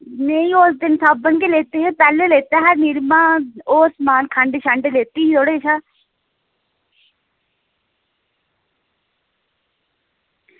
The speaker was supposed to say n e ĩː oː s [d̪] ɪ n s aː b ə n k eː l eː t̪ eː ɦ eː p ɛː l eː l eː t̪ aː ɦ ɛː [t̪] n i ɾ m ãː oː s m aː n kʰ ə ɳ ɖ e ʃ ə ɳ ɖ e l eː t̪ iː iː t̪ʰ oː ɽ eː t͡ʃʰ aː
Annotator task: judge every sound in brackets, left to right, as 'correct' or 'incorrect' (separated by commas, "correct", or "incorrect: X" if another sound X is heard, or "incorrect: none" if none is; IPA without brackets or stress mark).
correct, incorrect: none